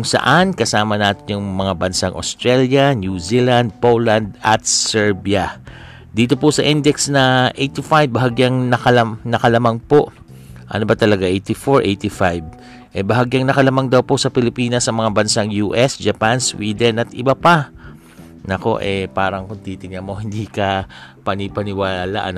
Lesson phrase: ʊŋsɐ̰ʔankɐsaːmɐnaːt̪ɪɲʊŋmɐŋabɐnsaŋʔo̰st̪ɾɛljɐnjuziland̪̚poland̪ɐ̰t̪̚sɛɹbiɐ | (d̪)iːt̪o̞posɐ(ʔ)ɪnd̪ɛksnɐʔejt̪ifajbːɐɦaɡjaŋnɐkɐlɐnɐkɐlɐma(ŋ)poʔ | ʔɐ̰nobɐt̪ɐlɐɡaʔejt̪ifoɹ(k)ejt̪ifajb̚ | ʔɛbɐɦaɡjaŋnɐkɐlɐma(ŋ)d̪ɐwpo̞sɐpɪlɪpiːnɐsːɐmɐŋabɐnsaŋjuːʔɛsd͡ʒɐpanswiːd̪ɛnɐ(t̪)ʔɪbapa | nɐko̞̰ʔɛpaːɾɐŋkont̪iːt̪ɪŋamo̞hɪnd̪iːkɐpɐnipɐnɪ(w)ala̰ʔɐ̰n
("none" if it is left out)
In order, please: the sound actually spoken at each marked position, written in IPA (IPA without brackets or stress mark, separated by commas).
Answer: d̪, ʔ, ŋ, ʔ, ŋ, t̪, w